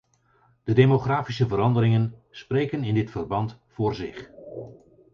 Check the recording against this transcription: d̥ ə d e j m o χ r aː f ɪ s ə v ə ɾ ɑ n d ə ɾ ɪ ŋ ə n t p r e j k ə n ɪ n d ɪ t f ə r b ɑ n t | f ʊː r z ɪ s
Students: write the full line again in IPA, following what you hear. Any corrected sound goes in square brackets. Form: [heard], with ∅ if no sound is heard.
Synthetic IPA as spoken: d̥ ə d e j m o χ r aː f [i] s ə v ə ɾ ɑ n d ə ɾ ɪ ŋ ə n [s] p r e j k ə n ɪ n d ɪ t f ə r b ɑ n t | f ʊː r z ɪ [χ]